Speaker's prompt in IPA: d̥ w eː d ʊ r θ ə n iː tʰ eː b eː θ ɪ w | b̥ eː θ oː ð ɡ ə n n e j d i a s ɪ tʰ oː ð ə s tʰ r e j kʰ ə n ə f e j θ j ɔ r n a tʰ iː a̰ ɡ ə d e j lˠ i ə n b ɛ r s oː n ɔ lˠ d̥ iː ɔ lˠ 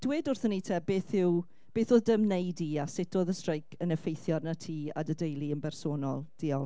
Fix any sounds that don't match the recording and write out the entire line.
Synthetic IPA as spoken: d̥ w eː d ʊ r θ ə n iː tʰ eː b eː θ ɪ w | b̥ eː θ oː ð d ə m n e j d i a s ɪ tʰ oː ð ə s t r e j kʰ ə n ə f e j θ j ɔ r n a tʰ iː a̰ d ə d e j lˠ i ə n b ɛ r s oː n ɔ lˠ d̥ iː ɔ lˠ